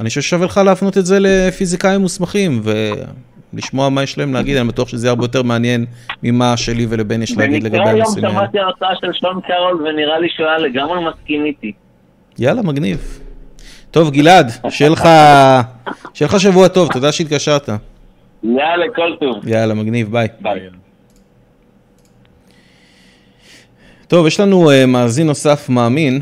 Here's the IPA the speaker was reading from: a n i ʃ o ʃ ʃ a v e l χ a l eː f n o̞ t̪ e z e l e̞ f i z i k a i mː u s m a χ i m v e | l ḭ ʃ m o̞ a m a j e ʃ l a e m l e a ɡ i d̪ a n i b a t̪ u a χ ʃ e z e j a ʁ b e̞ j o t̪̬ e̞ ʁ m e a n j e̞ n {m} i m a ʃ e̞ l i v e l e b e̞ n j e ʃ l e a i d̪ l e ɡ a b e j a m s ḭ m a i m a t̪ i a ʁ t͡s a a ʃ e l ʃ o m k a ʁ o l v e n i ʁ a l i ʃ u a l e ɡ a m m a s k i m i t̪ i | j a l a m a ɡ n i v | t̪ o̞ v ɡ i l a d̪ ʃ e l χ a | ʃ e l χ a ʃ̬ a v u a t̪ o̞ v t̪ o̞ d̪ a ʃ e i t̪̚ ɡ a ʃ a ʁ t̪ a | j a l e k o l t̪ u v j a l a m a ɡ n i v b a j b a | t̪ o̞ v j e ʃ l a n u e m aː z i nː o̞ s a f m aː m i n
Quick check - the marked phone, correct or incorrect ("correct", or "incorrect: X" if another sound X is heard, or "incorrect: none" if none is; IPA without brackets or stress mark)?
correct